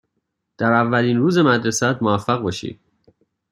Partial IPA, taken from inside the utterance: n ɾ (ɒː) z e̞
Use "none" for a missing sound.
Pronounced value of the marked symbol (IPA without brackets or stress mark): uː